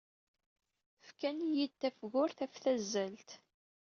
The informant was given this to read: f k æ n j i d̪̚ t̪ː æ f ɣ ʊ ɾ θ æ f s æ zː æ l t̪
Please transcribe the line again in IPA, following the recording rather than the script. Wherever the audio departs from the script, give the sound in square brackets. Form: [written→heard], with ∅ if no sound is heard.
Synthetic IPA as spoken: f k æ n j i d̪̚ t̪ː æ f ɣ ʊ ɾ θ æ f [s→θ] æ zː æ l t̪